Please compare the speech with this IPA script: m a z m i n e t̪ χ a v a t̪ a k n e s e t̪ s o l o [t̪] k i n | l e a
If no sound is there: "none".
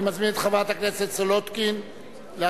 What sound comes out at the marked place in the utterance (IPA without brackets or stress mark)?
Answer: t̪